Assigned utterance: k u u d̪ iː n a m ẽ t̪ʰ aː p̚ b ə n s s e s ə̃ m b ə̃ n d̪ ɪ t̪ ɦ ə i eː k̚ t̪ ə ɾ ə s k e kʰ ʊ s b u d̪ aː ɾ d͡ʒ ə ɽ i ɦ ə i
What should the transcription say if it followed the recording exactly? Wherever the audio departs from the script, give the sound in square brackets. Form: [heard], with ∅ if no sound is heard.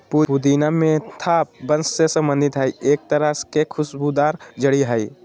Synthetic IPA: [p] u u d̪ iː n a m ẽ t̪ʰ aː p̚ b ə n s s e s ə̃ m b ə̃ n d̪ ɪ t̪ ɦ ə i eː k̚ t̪ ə ɾ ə s k e kʰ ʊ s b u d̪ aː ɾ d͡ʒ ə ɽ i ɦ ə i